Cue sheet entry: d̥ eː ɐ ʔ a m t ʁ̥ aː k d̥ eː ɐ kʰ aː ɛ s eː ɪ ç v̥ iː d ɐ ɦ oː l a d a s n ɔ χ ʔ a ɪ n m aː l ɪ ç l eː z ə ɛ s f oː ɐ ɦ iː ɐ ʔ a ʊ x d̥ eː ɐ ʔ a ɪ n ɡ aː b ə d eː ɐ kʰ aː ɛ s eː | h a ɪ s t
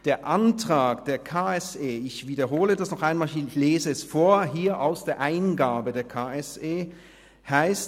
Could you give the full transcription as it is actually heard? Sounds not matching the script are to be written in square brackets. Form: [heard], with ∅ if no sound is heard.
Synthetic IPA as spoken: d̥ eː ɐ ʔ a [n] t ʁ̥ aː k d̥ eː ɐ kʰ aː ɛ s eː ɪ ç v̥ iː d ɐ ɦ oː l [ə] d a s n ɔ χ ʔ a ɪ n m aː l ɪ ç l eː z ə ɛ s f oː ɐ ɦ iː ɐ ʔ a ʊ [s] d̥ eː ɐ ʔ a ɪ n ɡ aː b ə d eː ɐ kʰ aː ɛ s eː | h a ɪ s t